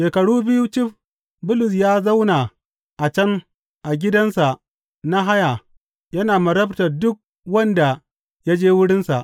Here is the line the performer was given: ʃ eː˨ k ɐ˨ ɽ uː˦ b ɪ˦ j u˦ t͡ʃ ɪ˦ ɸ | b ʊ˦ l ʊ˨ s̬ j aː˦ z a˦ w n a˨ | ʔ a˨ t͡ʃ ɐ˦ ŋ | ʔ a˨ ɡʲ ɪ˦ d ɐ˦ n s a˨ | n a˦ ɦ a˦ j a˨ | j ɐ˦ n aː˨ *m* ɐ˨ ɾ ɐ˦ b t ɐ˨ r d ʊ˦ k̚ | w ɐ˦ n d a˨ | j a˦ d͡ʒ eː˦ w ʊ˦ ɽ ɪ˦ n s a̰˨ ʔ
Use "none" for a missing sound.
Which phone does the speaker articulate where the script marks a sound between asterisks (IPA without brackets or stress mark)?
m